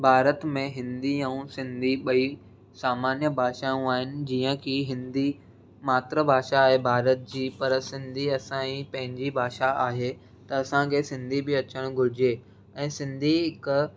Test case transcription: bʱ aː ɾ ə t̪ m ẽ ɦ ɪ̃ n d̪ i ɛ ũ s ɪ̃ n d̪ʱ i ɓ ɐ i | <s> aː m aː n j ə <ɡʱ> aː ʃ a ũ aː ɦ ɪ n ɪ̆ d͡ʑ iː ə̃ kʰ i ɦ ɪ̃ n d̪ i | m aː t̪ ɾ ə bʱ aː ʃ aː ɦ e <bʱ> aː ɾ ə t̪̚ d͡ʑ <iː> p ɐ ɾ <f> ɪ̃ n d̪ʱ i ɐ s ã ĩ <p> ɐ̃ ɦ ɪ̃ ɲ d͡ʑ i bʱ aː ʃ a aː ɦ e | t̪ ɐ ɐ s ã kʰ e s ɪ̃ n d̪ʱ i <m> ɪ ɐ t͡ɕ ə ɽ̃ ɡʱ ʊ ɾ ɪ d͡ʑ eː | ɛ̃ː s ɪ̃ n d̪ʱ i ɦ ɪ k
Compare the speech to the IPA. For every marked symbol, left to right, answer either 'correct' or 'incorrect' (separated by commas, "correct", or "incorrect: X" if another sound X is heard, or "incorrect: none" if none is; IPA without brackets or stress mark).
correct, incorrect: bʱ, correct, correct, incorrect: s, correct, incorrect: b